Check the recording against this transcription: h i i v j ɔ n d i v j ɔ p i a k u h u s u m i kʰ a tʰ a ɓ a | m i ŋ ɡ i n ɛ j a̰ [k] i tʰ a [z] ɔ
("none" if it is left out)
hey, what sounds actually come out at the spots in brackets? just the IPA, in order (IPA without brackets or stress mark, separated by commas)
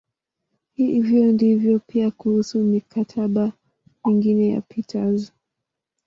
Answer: p, z